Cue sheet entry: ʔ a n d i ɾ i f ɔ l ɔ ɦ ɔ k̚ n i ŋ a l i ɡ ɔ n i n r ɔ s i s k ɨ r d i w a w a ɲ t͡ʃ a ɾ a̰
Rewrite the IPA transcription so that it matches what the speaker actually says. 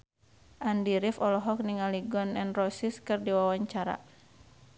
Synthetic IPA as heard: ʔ a n d i ɾ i f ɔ l ɔ ɦ ɔ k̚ n i ŋ a l i ɡ ɔ n ɛ n r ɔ s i s k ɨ r d i w a w a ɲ t͡ʃ a ɾ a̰